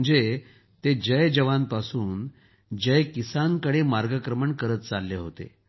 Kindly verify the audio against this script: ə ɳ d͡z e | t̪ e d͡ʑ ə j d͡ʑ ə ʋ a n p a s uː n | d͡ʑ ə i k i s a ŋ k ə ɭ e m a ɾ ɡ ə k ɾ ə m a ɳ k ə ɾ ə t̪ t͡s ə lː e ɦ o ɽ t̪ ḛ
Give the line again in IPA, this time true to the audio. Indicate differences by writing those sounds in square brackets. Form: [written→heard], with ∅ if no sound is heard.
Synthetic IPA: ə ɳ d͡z e | t̪ e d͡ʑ ə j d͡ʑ ə ʋ a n p a s uː n | d͡ʑ ə [i→j] k i s a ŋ k ə [ɭ→ɽ] e m a ɾ ɡ ə k ɾ ə m [a→ə] ɳ k ə ɾ ə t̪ t͡s [ə→a] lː e ɦ o [ɽ→∅] t̪ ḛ